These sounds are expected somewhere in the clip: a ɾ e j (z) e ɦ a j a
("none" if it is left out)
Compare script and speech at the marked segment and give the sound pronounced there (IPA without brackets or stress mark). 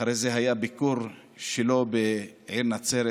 z